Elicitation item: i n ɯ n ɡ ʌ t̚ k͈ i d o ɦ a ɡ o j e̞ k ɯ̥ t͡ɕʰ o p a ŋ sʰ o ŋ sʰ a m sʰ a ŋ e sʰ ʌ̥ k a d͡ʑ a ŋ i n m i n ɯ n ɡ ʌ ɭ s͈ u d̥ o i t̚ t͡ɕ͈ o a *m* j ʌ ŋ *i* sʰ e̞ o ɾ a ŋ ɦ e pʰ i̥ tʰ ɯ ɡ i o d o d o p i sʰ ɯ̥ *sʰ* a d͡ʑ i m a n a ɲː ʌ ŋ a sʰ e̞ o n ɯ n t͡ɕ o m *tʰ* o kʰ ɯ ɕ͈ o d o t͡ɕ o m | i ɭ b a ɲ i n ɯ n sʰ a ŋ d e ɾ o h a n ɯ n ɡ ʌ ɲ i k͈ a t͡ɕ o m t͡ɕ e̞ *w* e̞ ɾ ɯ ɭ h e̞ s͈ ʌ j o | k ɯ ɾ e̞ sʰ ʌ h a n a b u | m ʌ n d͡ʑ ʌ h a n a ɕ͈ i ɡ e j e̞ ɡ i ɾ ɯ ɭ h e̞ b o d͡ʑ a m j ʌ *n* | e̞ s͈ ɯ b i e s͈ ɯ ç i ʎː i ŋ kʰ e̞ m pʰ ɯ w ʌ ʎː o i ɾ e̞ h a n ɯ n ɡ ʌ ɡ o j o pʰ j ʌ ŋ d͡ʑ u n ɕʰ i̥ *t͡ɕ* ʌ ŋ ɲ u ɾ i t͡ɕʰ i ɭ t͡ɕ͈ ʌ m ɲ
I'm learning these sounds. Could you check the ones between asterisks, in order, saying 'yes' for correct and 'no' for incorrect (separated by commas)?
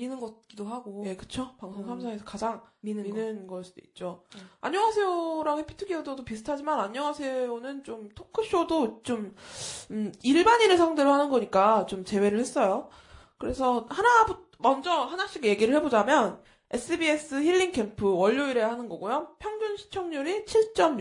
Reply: no, no, no, yes, yes, yes, no